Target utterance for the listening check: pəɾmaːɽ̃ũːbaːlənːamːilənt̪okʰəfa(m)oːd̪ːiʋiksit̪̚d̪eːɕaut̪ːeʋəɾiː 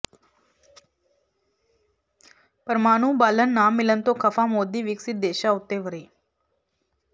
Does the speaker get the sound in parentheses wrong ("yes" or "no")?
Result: no